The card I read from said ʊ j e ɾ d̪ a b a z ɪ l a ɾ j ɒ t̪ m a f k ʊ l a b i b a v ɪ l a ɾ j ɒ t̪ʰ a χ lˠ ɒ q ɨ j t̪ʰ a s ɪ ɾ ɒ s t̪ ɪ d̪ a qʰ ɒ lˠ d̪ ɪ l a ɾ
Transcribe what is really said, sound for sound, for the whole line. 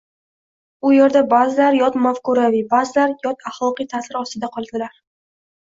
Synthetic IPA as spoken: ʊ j e ɾ d̪ a b a z ɪ l a ɾ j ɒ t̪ m a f k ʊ ɾ a v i b a z ɪ l a ɾ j ɒ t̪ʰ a χ lˠ ɒ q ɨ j t̪ʰ a s ɪ ɾ ɒ s t̪ ɪ d̪ a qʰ ɒ lˠ d̪ ɪ l a ɾ

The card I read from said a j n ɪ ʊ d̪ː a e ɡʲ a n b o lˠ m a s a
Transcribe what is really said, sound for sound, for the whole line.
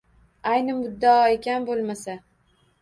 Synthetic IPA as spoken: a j n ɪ ʊ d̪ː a e kʲ a n b o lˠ m a s a

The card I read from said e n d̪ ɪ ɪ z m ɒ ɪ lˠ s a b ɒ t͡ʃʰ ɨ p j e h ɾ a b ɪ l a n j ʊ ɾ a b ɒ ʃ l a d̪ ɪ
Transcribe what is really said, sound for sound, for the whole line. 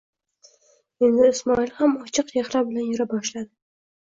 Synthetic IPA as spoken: e n d̪ ɪ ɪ s m ɒ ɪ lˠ h a m ɒ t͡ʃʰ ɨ q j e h ɾ a b ɪ l a n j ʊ ɾ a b ɒ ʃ l a d̪ ɪ

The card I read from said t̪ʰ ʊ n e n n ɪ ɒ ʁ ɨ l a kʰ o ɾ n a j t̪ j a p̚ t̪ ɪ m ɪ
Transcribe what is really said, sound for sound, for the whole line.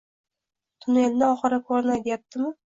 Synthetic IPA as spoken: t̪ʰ ʊ n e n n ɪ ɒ χ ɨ ɾ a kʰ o ɾ n a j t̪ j a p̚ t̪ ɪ m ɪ

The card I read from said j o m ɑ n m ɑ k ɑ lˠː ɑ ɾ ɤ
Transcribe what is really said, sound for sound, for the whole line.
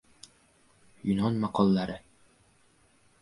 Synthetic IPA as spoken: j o n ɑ n m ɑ q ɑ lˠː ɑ ɾ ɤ

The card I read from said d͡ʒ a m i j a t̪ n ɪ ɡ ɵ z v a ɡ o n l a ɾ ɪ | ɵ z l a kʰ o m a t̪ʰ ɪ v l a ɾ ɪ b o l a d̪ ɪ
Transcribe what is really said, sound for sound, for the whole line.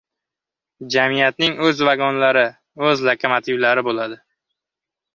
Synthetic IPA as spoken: d͡ʒ a m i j a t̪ n ɪ ŋ ɵ z v a ɡ ɒ n l a ɾ ɪ | ɵ z l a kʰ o m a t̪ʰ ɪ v l a ɾ ɪ b o l a d̪ ɪ

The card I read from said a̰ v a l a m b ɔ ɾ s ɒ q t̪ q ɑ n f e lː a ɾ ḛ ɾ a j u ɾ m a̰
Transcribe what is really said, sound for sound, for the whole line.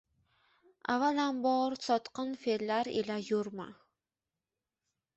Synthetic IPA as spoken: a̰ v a l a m b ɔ ɾ s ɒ t̪ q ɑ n f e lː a ɾ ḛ l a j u ɾ m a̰

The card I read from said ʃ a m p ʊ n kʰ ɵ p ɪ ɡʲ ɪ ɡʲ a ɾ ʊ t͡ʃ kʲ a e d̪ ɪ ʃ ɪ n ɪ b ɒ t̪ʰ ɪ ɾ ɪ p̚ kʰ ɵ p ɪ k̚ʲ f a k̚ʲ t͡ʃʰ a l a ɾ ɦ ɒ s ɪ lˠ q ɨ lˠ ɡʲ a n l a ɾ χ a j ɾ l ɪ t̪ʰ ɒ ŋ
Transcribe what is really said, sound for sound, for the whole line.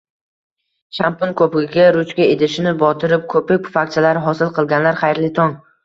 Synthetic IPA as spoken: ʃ a m p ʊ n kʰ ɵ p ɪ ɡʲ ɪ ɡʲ a ɾ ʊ t͡ʃ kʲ a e d̪ ɪ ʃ ɪ n ɪ b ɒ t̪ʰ ɪ ɾ ɪ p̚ kʰ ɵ p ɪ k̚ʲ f a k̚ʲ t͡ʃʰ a l a ɾ ɦ ɒ s ɪ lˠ q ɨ lˠ ɡʲ a n l a ɾ χ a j ɾ l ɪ t̪ʰ ɒ ŋ

